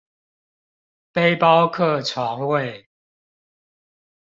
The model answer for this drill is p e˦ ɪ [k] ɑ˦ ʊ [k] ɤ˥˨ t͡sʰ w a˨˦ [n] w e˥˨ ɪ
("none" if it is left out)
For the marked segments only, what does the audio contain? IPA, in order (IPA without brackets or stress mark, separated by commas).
p, kʰ, ŋ